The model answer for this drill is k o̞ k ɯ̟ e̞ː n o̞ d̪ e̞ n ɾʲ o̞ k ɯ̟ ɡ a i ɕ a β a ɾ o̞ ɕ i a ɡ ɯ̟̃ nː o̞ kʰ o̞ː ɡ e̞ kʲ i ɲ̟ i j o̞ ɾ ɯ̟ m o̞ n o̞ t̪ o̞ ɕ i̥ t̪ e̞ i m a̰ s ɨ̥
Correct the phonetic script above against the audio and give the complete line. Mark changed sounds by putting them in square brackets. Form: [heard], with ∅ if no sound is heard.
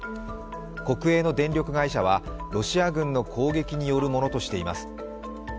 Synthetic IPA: k o̞ k ɯ̟ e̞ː n o̞ d̪ [ẽ̞] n ɾʲ o̞ k ɯ̟ ɡ a i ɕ a β a ɾ o̞ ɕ i a ɡ ɯ̟̃ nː o̞ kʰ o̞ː ɡ e̞ kʲ i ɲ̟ i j o̞ ɾ ɯ̟ m o̞ n o̞ t̪ o̞ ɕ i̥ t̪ e̞ i m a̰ s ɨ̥